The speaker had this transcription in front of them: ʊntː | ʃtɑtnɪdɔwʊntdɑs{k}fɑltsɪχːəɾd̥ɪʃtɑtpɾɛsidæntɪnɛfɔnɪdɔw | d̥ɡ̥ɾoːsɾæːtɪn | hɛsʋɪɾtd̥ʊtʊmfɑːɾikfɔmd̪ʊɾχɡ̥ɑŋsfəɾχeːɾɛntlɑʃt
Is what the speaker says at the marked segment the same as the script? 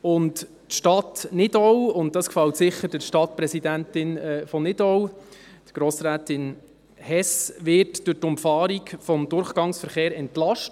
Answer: yes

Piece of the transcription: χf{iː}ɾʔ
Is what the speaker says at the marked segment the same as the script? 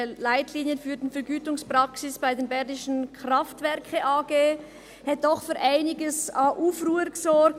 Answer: no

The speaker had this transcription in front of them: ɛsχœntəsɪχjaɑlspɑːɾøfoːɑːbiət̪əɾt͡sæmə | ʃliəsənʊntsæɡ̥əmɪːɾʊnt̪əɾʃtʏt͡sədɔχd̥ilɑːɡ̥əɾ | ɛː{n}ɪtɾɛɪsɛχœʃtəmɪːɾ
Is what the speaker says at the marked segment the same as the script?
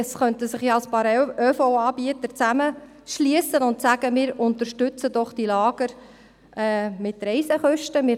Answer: no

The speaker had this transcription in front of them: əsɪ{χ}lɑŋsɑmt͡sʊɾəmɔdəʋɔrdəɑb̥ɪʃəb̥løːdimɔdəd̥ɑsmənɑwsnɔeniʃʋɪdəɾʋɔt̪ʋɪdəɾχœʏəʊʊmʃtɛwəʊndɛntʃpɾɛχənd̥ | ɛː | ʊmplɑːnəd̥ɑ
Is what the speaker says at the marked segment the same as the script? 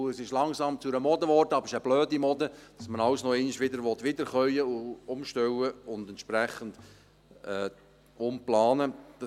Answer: no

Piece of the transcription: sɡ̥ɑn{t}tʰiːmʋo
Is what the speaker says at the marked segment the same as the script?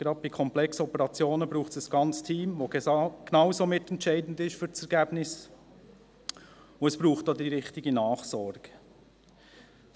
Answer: no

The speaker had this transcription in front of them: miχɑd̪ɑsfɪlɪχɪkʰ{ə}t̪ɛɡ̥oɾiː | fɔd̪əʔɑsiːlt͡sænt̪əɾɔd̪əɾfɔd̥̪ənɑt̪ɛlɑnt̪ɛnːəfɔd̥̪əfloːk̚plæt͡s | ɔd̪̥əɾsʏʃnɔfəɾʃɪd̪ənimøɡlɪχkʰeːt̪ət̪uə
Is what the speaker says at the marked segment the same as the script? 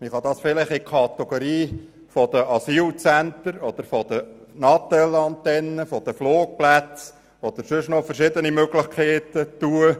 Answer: no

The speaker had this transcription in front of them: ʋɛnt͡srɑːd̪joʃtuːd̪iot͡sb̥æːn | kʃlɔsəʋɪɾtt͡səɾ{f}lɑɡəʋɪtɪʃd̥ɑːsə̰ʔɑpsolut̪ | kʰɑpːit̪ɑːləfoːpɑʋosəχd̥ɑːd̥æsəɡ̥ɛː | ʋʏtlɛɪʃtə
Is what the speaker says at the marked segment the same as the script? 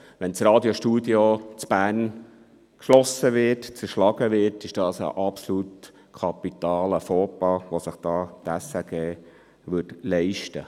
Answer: no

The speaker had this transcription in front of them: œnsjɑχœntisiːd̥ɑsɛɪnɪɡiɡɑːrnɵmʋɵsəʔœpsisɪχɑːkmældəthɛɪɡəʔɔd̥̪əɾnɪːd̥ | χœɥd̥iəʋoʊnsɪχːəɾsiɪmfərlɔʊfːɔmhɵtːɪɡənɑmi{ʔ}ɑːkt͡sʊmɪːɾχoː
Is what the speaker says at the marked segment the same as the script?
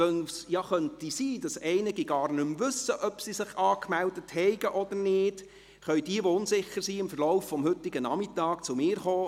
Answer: no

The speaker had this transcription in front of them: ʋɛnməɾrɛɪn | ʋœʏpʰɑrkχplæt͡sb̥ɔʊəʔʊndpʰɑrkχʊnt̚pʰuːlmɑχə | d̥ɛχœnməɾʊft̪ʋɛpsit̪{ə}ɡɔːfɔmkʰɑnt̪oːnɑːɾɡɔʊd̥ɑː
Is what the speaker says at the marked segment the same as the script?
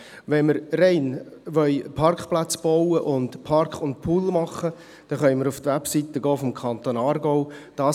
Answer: yes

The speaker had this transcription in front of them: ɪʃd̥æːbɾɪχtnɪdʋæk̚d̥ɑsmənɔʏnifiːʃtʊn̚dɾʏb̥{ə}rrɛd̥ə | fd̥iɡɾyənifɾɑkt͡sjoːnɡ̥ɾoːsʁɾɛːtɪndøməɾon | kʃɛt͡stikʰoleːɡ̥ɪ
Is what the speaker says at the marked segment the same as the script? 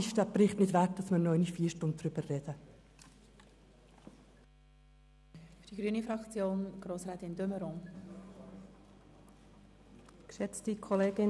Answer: yes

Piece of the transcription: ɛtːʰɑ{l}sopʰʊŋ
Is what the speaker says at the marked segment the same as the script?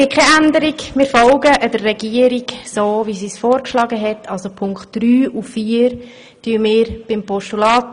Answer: yes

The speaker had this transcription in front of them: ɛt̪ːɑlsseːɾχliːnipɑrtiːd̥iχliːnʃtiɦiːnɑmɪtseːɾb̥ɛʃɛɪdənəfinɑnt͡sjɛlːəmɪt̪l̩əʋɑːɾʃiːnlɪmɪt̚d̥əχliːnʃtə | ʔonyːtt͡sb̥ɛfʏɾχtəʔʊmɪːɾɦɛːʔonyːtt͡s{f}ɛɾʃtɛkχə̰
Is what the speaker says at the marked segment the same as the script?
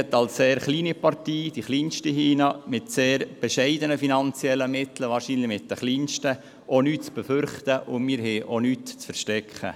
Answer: yes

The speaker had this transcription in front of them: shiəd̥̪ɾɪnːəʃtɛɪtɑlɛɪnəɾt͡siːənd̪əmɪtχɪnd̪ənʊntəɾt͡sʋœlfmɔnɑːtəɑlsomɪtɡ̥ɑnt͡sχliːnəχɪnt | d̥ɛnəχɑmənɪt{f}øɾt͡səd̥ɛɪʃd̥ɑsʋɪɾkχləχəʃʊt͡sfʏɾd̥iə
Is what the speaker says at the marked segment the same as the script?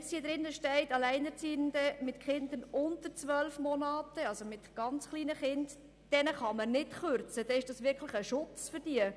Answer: no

